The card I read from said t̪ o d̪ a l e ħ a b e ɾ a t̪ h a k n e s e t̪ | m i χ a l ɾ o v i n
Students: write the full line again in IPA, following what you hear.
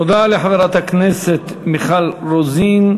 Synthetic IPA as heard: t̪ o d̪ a l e ħ a v e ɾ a t̪ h a k n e s e t̪ | m i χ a l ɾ o z i n